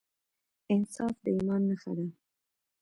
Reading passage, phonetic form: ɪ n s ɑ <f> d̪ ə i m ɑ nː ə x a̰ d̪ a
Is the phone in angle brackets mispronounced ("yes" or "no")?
no